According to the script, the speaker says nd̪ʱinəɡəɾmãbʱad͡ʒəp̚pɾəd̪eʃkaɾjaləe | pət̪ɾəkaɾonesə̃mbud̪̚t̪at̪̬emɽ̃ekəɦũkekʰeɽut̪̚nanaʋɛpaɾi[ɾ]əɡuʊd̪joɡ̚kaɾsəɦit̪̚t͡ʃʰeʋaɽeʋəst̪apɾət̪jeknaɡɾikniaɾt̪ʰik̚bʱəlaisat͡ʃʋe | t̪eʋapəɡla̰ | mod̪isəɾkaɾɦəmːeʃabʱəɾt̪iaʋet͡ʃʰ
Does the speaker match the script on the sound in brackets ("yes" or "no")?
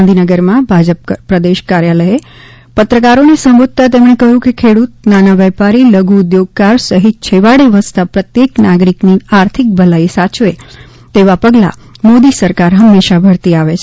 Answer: no